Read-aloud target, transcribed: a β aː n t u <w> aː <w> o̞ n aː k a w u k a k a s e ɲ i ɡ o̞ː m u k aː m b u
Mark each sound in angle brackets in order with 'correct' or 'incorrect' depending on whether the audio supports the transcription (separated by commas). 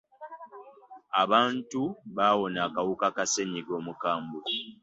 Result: incorrect, correct